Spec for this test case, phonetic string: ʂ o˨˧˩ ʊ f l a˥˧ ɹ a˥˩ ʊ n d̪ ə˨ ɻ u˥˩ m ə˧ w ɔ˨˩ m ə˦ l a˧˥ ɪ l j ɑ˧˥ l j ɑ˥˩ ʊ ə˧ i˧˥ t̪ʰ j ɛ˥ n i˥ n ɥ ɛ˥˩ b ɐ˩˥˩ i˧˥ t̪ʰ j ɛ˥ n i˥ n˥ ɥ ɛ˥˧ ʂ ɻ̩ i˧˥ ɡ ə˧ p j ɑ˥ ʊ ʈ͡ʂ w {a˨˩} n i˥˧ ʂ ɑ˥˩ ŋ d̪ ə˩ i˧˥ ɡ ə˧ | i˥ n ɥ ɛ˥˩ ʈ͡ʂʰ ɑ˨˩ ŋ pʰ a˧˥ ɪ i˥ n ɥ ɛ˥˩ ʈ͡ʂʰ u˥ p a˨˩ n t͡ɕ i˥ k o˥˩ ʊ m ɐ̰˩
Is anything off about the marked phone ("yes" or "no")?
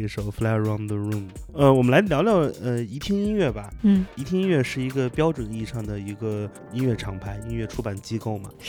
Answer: yes